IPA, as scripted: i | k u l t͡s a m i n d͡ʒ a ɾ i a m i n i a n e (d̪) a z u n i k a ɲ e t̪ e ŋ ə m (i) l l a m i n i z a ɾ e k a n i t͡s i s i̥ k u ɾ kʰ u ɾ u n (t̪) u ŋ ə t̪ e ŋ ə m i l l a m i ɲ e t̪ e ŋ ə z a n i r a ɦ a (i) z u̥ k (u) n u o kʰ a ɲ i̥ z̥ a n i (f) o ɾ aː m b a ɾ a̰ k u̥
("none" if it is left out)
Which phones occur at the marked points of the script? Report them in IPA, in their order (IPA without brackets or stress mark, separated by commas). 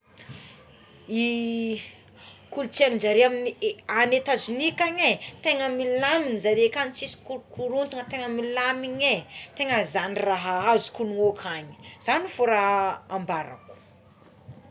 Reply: t̪, i, t̪, a, u, f